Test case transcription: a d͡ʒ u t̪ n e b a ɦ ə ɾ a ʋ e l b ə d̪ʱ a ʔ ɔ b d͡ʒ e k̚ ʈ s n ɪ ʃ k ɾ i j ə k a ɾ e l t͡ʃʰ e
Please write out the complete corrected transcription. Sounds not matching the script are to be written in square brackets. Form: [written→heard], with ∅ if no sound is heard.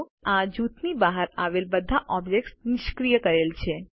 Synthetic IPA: a d͡ʒ u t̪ n [e→i] b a ɦ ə ɾ a ʋ e l b ə d̪ʱ a ʔ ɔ b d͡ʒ e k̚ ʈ s n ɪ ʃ k ɾ i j ə k [a→ə] ɾ e l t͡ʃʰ e

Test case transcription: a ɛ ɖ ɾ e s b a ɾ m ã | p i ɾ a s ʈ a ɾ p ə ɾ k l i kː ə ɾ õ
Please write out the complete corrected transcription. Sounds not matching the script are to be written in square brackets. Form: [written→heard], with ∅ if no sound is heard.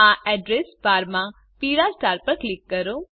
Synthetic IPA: a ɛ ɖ ɾ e s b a ɾ m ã | p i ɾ a s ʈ a ɾ p ə ɾ k l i kː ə ɾ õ

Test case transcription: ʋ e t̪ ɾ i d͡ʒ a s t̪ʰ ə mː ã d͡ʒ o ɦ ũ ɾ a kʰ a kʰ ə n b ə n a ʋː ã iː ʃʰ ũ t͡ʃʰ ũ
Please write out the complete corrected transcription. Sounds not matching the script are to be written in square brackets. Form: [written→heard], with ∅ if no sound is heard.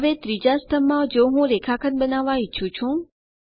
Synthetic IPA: ʋ e t̪ ɾ i d͡ʒ a s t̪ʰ ə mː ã d͡ʒ o ɦ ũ ɾ [a→e] kʰ a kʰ ə n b ə n a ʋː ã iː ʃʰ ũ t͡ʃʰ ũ

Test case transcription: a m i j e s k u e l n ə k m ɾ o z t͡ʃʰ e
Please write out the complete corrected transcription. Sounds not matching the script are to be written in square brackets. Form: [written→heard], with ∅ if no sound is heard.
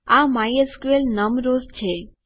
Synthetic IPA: a m [i→a] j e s k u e l n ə [k→∅] m ɾ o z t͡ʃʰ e

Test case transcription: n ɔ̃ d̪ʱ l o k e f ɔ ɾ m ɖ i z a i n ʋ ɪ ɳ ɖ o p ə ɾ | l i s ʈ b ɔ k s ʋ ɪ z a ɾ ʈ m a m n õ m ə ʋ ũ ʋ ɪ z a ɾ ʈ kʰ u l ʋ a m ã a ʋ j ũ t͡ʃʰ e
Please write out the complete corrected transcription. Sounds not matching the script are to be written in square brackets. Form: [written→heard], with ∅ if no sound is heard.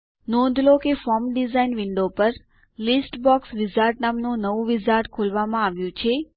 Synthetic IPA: n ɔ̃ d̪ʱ l o k e f ɔ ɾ m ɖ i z a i n ʋ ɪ ɳ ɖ o p ə ɾ | l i s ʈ b ɔ k s ʋ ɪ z a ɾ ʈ [m→n] a m n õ [m→n] ə ʋ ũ ʋ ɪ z a ɾ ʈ kʰ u l ʋ a m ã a ʋ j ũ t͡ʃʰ e

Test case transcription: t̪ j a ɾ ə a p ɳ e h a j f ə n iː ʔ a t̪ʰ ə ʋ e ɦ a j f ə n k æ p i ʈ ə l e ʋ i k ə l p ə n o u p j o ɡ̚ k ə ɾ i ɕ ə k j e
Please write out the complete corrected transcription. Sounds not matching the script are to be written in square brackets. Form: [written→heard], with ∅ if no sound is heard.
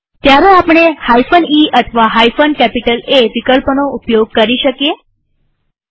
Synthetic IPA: t̪ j a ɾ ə a p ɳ e h a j f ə n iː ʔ [a→ə] t̪ʰ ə ʋ [e→a] ɦ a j f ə n k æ p i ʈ ə l e ʋ i k ə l p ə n o u p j o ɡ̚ k ə ɾ i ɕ ə k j e

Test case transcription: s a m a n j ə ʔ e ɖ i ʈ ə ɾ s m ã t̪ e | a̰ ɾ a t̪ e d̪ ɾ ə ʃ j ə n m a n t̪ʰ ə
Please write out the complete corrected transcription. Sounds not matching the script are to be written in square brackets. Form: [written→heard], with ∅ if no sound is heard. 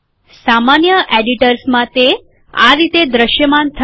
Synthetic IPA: s a m a n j ə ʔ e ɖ i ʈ ə ɾ s m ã t̪ e | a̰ ɾ [a→i] t̪ e d̪ ɾ ə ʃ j ə [n→∅] m a n t̪ʰ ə

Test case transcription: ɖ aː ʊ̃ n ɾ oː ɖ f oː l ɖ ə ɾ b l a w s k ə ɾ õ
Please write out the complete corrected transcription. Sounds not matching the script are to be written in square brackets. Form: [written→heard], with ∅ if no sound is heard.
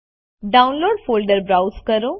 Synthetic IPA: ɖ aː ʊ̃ n [ɾ→l] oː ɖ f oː l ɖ ə ɾ b [l→ɾ] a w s k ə ɾ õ

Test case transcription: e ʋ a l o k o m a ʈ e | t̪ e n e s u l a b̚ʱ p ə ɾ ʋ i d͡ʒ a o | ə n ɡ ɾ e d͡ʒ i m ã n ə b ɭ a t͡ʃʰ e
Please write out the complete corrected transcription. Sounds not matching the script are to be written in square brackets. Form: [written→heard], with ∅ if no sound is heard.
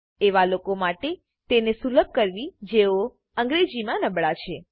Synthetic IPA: e ʋ a l o k o m a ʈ e | t̪ e n e s u l [a→ə] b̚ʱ [p→k] ə ɾ ʋ i d͡ʒ [a→e] o | ə [n→ŋ] ɡ ɾ e d͡ʒ i m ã n ə b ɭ a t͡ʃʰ e

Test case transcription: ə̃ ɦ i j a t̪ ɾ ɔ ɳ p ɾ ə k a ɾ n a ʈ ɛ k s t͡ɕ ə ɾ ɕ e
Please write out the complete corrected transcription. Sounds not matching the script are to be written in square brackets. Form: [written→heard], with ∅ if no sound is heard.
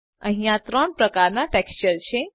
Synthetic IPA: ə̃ ɦ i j a t̪ ɾ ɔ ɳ p ɾ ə k a ɾ n a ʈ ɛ k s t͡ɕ ə ɾ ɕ e

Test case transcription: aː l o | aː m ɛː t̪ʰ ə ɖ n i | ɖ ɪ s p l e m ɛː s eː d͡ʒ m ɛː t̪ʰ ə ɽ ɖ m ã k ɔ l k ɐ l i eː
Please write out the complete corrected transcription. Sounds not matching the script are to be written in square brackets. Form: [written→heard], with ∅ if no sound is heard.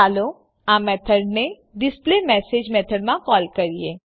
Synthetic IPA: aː l o | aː m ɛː t̪ʰ ə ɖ n [i→e] | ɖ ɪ s p l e m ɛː s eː d͡ʒ m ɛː t̪ʰ ə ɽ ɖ m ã k [ɔ→ɔː] l k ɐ [l→ɾ] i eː

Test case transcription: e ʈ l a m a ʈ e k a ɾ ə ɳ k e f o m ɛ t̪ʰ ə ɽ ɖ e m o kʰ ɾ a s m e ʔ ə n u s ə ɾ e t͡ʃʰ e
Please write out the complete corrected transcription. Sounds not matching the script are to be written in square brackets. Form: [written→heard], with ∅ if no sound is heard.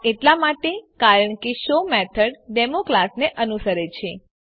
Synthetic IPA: e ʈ l a m a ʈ e k a ɾ ə ɳ k e [f→ʃ] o m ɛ t̪ʰ ə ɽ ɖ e m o [kʰ→k] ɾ a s [m→n] e ʔ ə n u s ə ɾ e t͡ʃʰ e

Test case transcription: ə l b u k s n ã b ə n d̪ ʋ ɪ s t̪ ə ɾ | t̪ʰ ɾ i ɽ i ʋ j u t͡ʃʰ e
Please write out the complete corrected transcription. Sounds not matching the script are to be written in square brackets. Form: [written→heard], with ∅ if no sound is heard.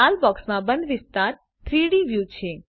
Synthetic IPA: [ə→a] l b [u→ɔ] k s [n→m] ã b ə n d̪ ʋ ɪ s t̪ [ə→a] ɾ | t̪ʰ ɾ i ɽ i ʋ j u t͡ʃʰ e

